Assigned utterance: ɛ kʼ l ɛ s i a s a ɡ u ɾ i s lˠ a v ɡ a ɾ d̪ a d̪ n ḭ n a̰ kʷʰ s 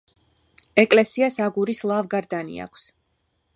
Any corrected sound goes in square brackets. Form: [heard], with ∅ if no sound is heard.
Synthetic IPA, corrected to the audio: ɛ kʼ l ɛ s i a s a ɡ u ɾ i s lˠ a v ɡ a ɾ d̪ a [∅] n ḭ [∅] a̰ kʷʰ s